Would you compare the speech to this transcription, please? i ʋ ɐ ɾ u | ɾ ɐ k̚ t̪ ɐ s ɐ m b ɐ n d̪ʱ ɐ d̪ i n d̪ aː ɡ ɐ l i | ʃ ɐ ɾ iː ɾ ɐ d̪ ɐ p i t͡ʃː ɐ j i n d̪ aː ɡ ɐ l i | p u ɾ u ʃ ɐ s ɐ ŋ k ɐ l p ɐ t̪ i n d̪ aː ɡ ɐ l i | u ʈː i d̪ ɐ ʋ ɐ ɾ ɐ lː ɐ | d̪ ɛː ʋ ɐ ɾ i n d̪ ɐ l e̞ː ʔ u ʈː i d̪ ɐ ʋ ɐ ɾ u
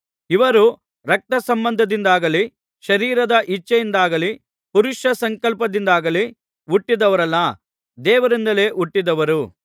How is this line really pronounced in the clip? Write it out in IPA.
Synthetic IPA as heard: i ʋ ɐ ɾ u | ɾ ɐ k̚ t̪ ɐ s ɐ m b ɐ n d̪ʱ ɐ d̪ i n d̪ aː ɡ ɐ l i | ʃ ɐ ɾ iː ɾ ɐ d̪ ɐ ʔ i t͡ʃː ɐ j i n d̪ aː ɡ ɐ l i | p u ɾ u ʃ ɐ s ɐ ŋ k ɐ l p ɐ d̪ i n d̪ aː ɡ ɐ l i | u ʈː i d̪ ɐ ʋ ɐ ɾ ɐ lː ɐ | d̪ ɛː ʋ ɐ ɾ i n d̪ ɐ l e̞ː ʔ u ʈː i d̪ ɐ ʋ ɐ ɾ u